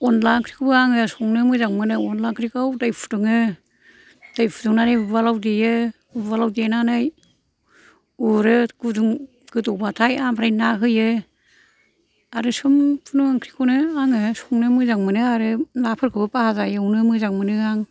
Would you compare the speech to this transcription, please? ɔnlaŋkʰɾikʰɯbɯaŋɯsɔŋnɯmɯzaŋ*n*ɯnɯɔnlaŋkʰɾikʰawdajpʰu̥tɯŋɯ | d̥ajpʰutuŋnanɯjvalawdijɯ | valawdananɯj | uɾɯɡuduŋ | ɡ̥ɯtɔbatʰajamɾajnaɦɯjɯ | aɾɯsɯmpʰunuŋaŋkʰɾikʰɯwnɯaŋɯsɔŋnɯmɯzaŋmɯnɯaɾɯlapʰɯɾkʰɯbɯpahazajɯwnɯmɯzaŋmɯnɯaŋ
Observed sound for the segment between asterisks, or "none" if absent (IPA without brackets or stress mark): m